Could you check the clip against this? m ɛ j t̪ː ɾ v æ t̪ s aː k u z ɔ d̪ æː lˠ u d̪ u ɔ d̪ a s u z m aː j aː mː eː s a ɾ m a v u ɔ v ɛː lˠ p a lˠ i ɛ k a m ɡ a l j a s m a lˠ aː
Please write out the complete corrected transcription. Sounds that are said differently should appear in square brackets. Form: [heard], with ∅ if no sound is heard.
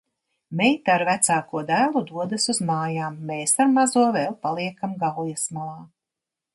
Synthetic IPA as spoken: m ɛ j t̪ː ɾ v æ t̪ s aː k u [∅] ɔ d̪ æː lˠ u d̪ u ɔ d̪ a s u z m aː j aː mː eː s a ɾ m a [z] u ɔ v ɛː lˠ p a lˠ i ɛ k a m ɡ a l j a s m a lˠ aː